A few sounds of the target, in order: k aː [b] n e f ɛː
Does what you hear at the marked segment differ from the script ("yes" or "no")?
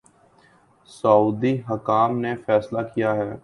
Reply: yes